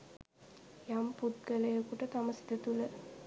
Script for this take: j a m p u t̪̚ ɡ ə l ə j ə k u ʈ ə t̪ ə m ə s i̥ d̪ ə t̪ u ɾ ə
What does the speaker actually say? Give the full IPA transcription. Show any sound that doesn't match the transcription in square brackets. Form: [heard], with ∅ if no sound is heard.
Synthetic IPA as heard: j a m p u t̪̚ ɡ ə l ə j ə k u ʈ ə t̪ [a] m ə s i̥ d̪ ə t̪ u [l] ə

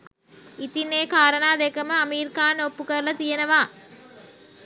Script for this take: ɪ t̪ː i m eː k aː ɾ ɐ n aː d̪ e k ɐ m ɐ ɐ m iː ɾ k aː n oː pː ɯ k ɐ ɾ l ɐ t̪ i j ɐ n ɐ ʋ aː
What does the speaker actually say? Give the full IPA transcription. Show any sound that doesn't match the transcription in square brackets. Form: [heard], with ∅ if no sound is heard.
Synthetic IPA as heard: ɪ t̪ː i [n] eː k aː ɾ ɐ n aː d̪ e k ɐ m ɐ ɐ m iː ɾ k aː n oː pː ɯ k ɐ ɾ l ɐ t̪ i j ɐ n ɐ ʋ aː

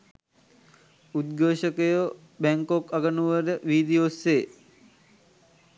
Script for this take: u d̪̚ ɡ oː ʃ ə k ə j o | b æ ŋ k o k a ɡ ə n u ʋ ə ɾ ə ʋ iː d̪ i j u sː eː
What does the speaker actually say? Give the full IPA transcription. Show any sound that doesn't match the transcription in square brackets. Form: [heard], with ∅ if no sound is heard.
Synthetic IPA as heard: u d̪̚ ɡ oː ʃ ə k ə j o | b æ ŋ k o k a ɡ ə n u ʋ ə ɾ ə ʋ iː d̪ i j [o] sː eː

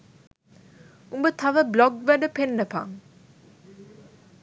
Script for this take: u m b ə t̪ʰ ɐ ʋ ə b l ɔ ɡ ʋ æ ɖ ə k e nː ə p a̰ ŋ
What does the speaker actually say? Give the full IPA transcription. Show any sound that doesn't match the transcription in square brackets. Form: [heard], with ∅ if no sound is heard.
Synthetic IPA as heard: u m b ə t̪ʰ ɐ ʋ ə b l ɔ ɡ ʋ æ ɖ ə [p] e nː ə p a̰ ŋ

